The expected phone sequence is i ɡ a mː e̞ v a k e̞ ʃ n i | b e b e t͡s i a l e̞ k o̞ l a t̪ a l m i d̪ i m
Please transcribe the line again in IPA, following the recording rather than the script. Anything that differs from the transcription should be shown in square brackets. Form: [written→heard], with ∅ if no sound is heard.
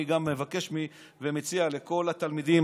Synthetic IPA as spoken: i ɡ a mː e̞ v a k e̞ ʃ [n→m] i | [b→v] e [b→m] e t͡s i a l e̞ k o̞ l a t̪ a l m i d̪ i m